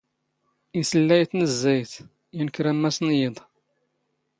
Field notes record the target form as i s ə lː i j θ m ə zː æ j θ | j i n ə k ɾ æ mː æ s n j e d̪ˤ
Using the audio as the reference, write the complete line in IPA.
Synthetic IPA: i s ə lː æ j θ n ə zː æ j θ | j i n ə k ɾ æ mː æ s n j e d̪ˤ